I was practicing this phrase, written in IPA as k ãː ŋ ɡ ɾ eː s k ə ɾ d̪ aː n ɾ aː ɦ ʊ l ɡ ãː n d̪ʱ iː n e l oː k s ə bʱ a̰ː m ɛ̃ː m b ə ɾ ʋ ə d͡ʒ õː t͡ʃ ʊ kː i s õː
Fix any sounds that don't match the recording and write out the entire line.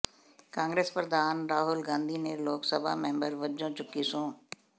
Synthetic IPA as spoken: k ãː ŋ ɡ ɾ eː s p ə ɾ d̪ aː n ɾ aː ɦ ʊ l ɡ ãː n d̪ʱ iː n e l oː k s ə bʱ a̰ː m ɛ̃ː m b ə ɾ ʋ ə d͡ʒ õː t͡ʃ ʊ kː i s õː

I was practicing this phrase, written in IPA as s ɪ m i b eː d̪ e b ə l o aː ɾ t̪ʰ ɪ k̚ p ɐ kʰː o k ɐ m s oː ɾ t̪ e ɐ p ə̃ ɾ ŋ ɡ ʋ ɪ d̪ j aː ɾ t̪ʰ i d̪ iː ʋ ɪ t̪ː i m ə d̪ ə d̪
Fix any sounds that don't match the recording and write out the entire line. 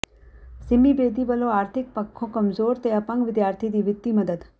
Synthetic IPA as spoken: s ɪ m i b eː d̪ i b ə l o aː ɾ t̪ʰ ɪ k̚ p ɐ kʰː o k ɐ m z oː ɾ t̪ e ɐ p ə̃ ŋ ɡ ʋ ɪ d̪ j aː ɾ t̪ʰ i d̪ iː ʋ ɪ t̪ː i m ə d̪ ə d̪

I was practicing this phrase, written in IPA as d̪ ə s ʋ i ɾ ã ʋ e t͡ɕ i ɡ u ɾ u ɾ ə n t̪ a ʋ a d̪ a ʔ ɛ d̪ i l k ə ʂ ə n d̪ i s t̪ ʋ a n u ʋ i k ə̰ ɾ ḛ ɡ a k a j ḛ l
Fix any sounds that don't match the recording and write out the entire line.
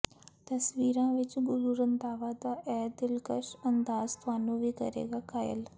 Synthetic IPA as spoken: t̪ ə s ʋ i ɾ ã ʋ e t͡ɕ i ɡ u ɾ u ɾ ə n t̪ a ʋ a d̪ a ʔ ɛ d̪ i l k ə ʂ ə n d̪ a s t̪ ʋ a n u ʋ i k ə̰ ɾ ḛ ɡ a k a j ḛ l

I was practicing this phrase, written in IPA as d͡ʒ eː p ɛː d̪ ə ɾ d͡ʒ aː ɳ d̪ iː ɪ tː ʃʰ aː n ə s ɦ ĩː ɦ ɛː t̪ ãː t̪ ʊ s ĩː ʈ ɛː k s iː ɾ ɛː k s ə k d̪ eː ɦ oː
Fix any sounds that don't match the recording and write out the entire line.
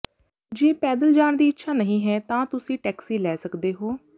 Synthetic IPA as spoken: d͡ʒ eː p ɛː d̪ ə l d͡ʒ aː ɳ d̪ iː ɪ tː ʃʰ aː n ə ɦ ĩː ɦ ɛː t̪ ãː t̪ ʊ s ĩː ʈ ɛː k s iː l ɛː s ə k d̪ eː ɦ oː

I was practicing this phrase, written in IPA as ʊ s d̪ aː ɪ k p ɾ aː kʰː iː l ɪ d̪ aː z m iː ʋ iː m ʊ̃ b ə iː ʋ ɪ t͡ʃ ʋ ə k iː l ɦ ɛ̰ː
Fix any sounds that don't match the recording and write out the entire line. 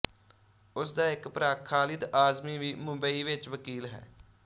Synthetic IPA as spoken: ʊ s d̪ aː ɪ k p ɾ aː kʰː aː l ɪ d̪ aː z m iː ʋ iː m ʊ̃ b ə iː ʋ ɪ t͡ʃ ʋ ə k iː l ɦ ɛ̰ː

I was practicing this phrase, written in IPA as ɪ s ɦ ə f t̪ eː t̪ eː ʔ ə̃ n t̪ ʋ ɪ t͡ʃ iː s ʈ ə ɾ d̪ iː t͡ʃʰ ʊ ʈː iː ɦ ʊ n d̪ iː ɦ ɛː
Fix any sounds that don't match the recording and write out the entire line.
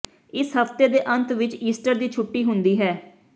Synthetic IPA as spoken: ɪ s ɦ ə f t̪ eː d̪ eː ʔ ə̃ n t̪ ʋ ɪ t͡ʃ iː s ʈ ə ɾ d̪ iː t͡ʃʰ ʊ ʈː iː ɦ ʊ n d̪ iː ɦ ɛː

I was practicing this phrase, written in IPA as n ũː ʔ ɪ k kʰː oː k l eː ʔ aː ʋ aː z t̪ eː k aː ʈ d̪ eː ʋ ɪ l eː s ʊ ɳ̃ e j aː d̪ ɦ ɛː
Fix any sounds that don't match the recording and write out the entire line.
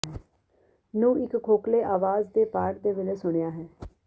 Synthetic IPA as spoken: n ũː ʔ ɪ k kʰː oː k l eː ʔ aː ʋ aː z d̪ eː p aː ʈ d̪ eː ʋ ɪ l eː s ʊ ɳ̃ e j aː ɦ ɛː

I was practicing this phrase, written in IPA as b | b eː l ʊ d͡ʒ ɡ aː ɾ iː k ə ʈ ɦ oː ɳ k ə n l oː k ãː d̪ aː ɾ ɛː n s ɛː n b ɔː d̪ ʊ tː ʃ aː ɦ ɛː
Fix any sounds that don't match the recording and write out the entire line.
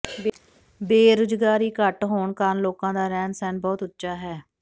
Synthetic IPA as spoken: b | b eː ɾ ʊ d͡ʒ ɡ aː ɾ iː k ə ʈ ɦ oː ɳ k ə n l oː k ãː d̪ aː ɾ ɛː n s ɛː n b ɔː t̪ ʊ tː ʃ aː ɦ ɛː

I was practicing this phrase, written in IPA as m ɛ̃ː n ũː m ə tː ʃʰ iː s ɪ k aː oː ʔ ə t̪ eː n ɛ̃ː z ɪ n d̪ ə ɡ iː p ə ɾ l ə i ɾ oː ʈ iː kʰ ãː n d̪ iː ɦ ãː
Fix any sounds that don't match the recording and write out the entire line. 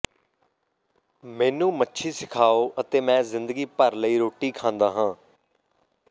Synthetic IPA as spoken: m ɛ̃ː n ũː m ə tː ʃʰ iː s ɪ kʰ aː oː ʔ ə t̪ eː m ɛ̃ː z ɪ n d̪ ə ɡ iː p ə ɾ l ə iː ɾ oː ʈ iː kʰ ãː n d̪ aː ɦ ãː

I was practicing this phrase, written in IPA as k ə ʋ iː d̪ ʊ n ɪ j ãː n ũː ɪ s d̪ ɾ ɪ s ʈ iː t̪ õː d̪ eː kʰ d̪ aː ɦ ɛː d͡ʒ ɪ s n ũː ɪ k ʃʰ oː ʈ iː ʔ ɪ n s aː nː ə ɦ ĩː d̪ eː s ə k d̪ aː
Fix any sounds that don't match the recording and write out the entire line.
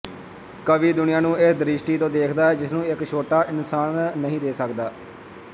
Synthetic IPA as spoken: k ə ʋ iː d̪ ʊ n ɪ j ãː n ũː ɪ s d̪ ɾ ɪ ʃ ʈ iː t̪ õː d̪ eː kʰ d̪ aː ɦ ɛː d͡ʒ ɪ s n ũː ɪ k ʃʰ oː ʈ aː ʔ ɪ n s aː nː ə ɦ ĩː d̪ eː s ə k d̪ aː

